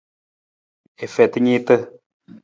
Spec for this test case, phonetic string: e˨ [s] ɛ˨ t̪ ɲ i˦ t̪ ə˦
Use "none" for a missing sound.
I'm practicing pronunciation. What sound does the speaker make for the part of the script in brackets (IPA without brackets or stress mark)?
f